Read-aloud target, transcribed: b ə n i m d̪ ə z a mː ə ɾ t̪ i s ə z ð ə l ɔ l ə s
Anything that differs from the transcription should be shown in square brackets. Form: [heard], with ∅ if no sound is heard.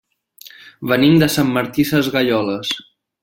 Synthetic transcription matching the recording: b ə n i m d̪ ə [s] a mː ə ɾ t̪ i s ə z [ɣ] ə [ʎ] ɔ l ə s